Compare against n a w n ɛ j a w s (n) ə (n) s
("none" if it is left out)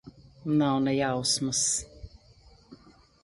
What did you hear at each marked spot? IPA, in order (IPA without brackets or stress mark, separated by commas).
m, none